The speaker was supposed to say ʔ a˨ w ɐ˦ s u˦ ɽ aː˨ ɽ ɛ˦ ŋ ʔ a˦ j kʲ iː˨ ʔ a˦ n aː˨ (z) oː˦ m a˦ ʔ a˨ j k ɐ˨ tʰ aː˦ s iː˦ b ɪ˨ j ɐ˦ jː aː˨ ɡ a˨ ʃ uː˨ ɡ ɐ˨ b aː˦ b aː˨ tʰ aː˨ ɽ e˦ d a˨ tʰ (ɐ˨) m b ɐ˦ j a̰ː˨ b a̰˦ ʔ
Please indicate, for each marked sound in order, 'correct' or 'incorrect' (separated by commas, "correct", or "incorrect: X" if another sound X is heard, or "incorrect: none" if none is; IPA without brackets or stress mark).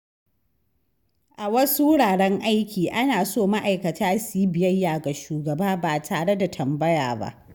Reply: incorrect: s, correct